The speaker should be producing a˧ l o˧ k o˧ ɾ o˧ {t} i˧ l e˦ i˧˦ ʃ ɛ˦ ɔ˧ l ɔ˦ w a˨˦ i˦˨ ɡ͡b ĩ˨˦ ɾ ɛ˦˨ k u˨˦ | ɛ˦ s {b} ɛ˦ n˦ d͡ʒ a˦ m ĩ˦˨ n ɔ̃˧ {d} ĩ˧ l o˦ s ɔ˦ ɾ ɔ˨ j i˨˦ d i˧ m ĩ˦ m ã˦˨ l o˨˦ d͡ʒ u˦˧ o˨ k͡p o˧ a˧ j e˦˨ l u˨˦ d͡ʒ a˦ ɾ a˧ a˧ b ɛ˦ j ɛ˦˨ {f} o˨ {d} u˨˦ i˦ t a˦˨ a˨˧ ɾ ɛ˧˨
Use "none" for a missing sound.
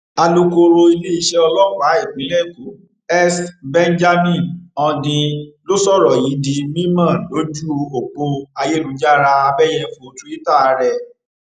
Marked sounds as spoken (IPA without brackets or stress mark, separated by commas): none, b, d, f, t